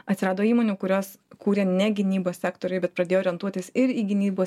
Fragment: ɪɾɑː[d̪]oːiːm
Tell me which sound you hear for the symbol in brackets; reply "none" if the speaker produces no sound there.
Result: d̪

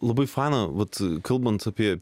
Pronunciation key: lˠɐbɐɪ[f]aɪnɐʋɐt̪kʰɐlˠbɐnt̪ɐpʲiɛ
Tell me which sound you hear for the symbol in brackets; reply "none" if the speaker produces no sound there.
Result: f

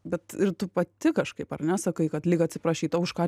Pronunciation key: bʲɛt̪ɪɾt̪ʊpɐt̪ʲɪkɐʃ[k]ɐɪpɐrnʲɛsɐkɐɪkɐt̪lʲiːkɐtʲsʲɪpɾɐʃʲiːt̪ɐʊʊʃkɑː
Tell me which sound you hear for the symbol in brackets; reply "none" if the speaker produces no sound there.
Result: k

